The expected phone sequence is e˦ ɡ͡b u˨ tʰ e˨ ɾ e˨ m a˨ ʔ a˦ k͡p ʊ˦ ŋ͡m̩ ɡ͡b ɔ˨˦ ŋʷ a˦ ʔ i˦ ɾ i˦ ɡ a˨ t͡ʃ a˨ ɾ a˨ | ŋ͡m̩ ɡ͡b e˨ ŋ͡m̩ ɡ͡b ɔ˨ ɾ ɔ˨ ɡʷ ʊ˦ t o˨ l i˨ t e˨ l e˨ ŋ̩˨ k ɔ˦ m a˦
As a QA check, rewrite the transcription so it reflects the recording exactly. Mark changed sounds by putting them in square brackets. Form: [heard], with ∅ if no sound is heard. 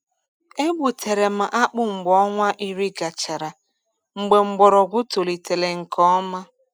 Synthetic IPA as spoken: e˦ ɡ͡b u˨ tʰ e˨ ɾ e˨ m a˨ ʔ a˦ k͡p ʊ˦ ŋ͡m̩ ɡ͡b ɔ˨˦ ŋʷ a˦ ʔ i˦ ɾ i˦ ɡ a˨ t͡ʃ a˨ ɾ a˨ | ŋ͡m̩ ɡ͡b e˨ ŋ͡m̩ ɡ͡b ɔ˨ ɾ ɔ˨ ɡʷ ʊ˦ t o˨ l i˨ t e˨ l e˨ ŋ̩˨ k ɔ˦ m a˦